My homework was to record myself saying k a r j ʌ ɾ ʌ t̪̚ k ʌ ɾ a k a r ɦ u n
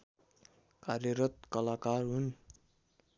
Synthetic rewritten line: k a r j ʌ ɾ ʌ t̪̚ k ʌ l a k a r ɦ u n